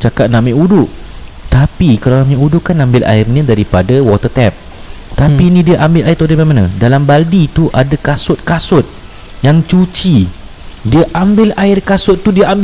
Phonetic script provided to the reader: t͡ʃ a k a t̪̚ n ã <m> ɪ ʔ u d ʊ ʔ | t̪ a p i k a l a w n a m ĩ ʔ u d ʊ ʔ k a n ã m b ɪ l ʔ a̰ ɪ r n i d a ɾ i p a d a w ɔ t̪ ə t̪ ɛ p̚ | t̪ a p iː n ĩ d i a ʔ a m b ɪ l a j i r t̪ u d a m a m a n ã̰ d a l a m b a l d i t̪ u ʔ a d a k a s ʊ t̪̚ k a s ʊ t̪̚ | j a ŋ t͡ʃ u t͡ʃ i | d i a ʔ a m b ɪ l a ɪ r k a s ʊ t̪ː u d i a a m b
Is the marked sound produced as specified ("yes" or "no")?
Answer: yes